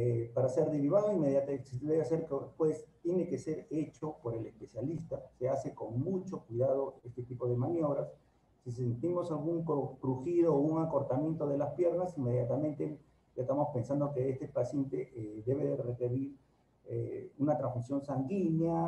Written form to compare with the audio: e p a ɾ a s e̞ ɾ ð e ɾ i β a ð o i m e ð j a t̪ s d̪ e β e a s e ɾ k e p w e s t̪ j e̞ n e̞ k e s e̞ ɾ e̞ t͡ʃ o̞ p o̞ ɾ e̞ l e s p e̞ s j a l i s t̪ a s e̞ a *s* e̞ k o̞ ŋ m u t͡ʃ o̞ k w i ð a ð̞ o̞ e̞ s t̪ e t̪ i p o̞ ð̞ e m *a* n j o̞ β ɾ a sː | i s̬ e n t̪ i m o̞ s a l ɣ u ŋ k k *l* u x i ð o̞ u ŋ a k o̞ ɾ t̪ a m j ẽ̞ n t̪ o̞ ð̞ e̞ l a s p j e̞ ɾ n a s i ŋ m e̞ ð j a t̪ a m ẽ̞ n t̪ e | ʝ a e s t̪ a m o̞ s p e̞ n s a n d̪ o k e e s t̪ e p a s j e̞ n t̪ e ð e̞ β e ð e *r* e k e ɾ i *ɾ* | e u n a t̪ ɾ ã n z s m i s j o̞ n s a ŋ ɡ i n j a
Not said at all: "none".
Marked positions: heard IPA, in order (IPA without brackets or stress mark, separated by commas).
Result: s, a, ɾ, r, ɾ